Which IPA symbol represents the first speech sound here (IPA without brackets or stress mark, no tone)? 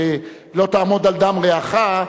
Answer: l